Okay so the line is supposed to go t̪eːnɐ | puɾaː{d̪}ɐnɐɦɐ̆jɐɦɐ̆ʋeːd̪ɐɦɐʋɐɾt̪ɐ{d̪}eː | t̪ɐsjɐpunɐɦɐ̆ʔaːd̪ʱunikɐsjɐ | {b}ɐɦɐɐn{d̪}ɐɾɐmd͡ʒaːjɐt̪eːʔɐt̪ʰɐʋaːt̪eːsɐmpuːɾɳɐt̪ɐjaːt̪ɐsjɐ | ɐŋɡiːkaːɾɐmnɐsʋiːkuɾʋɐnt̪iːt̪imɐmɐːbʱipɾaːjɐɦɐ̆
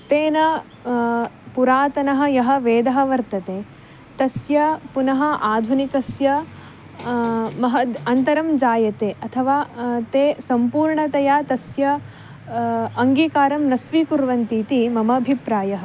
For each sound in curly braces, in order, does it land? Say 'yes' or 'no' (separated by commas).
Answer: no, no, no, no